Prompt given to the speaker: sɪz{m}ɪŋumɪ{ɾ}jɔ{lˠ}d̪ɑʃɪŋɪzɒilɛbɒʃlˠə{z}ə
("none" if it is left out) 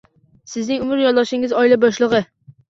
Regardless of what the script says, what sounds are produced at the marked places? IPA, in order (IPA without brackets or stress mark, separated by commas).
n, ɾ, lˠ, ʁ